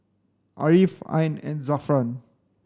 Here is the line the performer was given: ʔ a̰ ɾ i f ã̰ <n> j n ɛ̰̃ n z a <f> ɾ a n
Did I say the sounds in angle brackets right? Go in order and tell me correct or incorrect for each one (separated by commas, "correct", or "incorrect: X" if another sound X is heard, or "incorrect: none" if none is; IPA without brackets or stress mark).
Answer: incorrect: none, correct